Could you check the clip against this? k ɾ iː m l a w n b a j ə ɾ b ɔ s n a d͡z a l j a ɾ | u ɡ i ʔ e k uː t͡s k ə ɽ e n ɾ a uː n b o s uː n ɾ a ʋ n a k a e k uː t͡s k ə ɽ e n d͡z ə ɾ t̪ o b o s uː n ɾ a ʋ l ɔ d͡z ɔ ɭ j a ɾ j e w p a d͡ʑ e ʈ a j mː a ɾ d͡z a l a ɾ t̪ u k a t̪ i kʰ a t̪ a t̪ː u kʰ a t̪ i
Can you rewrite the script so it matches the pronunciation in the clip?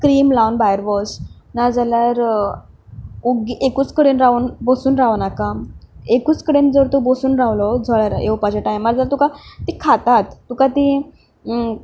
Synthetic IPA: k ɾ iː m l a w n b a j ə ɾ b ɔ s n a d͡z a l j a ɾ | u ɡ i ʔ e k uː t͡s k ə ɽ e n ɾ a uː n b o s uː n ɾ a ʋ n a k a e k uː t͡s k ə ɽ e n d͡z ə ɾ t̪ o b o s uː n ɾ a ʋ l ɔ d͡z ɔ ɭ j a ɾ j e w p a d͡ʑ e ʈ a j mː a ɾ d͡z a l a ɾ t̪ u k a t̪ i kʰ a t̪ a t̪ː u k a t̪ i